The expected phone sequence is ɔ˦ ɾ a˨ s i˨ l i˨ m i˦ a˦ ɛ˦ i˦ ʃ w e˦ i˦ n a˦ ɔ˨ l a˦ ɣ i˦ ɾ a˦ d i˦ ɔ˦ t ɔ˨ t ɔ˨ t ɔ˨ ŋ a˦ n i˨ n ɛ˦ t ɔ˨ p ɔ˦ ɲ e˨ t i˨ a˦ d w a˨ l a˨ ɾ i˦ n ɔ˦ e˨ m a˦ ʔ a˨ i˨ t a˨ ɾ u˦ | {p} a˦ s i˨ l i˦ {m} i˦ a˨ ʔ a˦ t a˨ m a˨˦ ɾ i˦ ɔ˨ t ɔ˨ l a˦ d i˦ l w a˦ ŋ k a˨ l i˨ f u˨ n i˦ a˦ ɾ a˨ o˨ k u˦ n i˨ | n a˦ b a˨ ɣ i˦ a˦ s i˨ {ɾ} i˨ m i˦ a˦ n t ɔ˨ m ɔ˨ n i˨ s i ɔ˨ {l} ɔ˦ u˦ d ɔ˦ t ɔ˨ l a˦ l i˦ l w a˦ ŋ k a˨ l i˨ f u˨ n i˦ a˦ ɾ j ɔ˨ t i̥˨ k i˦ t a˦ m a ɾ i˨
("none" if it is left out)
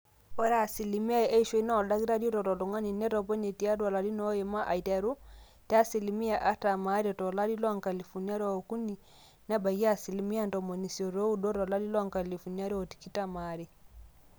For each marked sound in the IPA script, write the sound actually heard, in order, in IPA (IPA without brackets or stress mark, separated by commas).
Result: t, m, l, ɾ